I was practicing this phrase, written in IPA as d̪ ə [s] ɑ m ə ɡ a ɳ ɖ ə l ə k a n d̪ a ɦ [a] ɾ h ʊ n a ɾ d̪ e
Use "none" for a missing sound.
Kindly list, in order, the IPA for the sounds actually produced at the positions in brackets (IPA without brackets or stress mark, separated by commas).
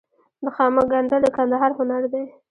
x, ɑ